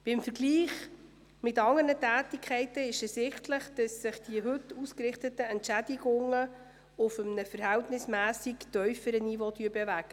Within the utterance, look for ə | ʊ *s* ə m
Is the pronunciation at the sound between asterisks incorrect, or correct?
incorrect: f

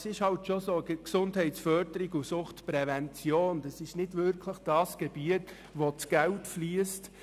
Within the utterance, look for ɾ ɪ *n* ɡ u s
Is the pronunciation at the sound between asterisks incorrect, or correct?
incorrect: none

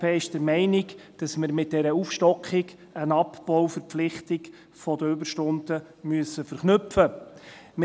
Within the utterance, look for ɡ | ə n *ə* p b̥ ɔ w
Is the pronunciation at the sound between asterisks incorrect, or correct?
incorrect: ɑ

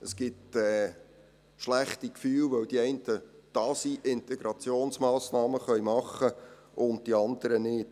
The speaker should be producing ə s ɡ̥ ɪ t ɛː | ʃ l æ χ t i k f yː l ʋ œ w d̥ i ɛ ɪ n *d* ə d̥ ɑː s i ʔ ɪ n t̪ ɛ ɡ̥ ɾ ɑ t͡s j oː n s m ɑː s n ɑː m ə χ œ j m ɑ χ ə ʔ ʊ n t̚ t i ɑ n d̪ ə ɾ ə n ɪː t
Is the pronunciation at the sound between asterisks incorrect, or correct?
incorrect: t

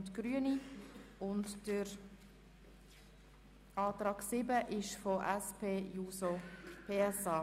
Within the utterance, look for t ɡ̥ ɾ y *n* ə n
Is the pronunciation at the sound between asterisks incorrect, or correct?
incorrect: none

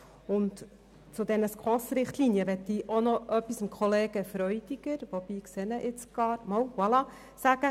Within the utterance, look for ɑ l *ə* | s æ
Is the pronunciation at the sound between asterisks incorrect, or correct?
incorrect: ɑ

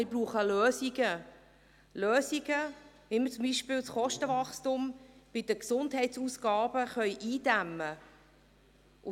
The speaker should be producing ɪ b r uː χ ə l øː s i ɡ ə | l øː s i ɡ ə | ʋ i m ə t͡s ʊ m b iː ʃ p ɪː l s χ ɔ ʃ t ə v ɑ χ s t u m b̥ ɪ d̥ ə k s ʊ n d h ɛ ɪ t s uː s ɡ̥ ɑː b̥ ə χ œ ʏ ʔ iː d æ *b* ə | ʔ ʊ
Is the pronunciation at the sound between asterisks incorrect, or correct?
incorrect: m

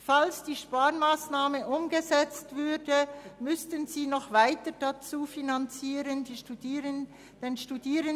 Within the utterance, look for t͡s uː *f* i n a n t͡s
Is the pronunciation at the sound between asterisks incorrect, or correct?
correct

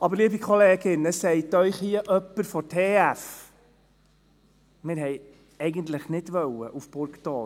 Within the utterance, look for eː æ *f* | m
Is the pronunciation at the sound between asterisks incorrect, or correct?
correct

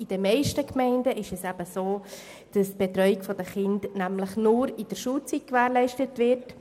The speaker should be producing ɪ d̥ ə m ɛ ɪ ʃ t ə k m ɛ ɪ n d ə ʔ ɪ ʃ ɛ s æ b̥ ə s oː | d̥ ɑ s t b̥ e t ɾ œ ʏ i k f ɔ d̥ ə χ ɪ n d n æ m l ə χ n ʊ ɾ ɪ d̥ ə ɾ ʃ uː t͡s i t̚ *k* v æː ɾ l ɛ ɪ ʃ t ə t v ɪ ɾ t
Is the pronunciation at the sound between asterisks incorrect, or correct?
correct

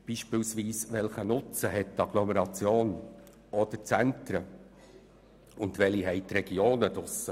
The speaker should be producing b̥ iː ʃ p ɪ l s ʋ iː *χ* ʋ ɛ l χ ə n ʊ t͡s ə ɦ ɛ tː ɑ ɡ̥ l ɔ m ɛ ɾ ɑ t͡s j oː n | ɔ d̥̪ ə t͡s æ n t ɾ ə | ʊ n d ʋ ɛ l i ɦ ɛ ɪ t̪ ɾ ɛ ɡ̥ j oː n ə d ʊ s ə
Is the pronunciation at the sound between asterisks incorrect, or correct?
incorrect: s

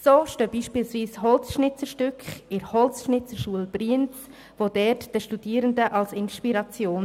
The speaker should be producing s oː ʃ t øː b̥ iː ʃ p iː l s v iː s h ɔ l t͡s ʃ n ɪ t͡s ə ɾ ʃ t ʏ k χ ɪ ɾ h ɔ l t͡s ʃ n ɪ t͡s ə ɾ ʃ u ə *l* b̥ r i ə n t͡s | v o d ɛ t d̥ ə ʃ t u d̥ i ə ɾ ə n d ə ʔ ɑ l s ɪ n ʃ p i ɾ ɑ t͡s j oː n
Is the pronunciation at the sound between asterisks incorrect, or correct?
correct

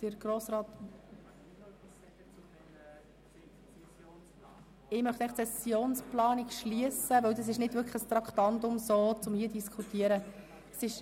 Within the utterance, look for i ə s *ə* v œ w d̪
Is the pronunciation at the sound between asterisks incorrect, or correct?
correct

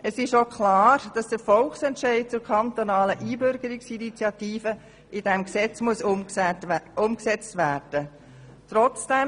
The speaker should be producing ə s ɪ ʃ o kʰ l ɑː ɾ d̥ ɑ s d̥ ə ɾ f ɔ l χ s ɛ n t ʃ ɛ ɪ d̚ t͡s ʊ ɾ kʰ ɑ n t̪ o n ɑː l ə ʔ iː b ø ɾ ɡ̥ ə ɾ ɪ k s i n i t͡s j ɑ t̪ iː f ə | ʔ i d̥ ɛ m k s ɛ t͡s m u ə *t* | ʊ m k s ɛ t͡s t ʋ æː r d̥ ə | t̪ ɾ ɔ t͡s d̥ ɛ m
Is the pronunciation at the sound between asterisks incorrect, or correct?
incorrect: s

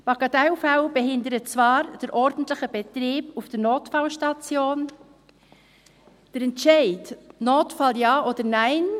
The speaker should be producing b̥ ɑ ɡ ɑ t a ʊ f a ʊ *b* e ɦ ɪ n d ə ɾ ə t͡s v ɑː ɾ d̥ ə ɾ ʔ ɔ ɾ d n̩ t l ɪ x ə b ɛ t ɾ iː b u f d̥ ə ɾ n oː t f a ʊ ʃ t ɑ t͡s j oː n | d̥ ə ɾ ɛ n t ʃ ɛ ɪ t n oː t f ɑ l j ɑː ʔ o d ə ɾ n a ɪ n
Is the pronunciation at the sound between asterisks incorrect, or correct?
correct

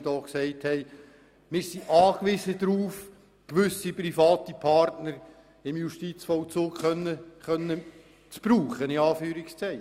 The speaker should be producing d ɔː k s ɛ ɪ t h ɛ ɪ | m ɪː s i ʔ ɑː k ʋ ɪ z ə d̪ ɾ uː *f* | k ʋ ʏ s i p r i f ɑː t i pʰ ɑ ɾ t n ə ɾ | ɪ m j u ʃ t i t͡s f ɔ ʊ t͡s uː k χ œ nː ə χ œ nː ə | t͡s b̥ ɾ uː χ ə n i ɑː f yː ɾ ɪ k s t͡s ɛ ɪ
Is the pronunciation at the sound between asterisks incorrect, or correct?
correct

